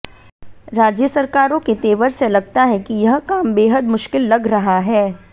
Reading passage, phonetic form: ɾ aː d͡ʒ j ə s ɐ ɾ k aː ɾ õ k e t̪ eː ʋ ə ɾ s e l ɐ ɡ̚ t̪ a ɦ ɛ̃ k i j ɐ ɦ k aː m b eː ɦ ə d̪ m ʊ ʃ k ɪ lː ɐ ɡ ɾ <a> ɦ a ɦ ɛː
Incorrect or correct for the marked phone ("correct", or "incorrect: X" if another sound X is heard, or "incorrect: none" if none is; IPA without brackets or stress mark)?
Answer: incorrect: ɐ